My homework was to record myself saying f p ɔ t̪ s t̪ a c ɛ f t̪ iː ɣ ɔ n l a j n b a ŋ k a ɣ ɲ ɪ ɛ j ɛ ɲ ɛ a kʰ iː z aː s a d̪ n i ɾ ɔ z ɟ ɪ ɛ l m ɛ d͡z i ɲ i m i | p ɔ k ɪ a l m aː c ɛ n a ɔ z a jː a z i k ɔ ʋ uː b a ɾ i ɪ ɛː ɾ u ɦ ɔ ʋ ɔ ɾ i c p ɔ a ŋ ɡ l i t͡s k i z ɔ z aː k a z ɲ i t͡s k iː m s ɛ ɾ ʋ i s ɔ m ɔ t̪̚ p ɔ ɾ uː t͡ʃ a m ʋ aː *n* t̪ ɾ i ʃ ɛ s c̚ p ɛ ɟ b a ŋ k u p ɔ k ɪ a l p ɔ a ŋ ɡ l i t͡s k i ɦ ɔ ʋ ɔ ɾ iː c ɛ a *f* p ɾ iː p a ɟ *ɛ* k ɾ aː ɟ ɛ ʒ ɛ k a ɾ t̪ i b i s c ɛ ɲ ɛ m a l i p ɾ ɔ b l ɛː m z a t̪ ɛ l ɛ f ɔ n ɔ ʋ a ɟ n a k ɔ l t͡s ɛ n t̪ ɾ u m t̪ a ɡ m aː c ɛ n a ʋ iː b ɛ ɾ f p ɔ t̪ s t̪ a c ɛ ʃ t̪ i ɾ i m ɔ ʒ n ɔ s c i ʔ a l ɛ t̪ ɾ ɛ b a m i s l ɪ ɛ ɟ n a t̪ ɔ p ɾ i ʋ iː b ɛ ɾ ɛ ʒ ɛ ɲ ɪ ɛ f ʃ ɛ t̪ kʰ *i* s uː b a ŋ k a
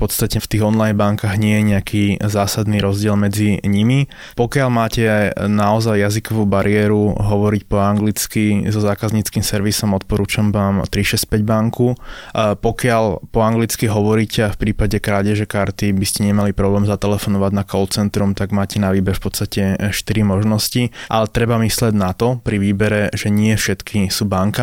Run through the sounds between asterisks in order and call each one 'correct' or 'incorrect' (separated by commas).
incorrect, correct, correct, correct